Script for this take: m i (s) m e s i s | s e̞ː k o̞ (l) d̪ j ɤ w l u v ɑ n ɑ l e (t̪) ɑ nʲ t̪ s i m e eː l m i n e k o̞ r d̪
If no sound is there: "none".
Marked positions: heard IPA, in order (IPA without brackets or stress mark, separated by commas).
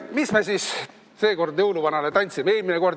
s, r, t̪